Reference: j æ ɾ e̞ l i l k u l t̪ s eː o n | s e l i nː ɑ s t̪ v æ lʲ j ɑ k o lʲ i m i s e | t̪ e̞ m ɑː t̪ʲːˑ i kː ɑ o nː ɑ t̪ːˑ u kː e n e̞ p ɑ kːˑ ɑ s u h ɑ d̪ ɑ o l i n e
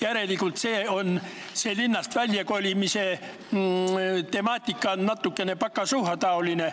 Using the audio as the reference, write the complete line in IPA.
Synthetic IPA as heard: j æ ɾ e̞ l i k u l t̪ s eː o n | s e l i nː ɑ s t̪ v æ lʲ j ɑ k o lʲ i m i s e | t̪ e̞ m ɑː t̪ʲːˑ i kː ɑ o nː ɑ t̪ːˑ u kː e n e̞ p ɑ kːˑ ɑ s u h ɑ t̪ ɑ o l i n e